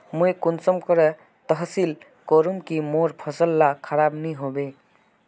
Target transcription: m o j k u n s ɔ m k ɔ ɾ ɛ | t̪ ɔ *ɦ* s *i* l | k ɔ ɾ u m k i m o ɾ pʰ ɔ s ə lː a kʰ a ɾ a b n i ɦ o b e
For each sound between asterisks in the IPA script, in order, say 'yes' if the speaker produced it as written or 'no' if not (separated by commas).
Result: yes, yes